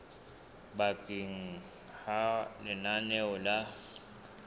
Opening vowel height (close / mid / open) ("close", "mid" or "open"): open